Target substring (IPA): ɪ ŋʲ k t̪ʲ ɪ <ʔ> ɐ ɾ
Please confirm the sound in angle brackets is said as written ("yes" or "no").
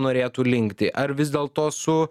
yes